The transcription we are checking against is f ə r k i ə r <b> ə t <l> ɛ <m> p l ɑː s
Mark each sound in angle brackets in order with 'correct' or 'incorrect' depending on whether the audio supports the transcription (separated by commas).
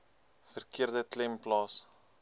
incorrect, correct, correct